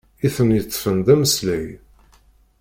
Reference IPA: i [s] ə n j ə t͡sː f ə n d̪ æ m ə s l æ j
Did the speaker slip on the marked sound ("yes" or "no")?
yes